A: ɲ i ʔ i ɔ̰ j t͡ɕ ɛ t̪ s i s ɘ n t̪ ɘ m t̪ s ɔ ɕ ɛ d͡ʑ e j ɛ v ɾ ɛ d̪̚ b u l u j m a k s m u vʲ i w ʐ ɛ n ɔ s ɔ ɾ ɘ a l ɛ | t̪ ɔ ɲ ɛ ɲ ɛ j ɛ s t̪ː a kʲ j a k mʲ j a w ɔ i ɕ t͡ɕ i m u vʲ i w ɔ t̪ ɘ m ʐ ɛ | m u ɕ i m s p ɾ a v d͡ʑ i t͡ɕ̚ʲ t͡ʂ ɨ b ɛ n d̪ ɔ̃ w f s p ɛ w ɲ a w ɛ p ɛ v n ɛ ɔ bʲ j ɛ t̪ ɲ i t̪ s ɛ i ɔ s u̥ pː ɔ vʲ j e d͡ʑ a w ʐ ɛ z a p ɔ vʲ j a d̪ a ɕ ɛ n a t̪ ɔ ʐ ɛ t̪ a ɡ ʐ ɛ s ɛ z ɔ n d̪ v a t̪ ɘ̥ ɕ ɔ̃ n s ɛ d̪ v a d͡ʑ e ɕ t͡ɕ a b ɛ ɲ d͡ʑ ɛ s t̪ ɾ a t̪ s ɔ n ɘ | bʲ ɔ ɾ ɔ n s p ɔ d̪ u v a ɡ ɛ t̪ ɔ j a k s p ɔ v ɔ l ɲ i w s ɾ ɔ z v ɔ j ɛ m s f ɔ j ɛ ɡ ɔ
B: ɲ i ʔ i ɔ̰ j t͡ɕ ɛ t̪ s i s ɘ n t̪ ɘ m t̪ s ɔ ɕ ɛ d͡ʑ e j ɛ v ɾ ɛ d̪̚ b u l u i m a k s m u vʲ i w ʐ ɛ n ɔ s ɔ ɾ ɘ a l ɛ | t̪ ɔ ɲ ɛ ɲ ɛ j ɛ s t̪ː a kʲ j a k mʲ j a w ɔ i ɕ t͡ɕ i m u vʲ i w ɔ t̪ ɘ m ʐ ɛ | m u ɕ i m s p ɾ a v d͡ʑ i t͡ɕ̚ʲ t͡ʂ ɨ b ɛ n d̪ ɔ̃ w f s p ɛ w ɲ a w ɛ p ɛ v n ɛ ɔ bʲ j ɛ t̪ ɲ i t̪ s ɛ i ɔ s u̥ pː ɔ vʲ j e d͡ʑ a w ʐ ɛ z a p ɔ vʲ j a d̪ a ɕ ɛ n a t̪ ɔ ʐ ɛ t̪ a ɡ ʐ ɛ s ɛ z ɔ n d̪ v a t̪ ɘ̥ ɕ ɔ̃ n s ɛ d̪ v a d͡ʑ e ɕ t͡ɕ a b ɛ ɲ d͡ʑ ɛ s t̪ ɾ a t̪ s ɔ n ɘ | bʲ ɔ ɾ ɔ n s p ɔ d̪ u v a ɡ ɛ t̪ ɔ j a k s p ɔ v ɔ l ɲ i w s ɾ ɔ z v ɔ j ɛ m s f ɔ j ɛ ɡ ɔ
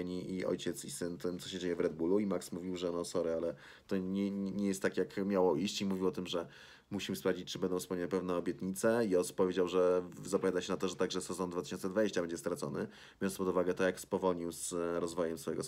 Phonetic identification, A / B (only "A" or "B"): B